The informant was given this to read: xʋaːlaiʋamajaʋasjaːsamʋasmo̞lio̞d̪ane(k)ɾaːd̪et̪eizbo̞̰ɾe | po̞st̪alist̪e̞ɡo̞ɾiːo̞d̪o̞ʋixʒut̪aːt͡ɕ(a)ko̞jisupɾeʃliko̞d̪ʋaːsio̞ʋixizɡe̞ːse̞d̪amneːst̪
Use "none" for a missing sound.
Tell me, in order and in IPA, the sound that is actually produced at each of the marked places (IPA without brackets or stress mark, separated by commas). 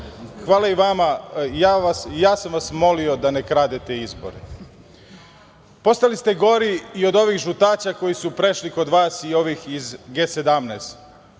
k, a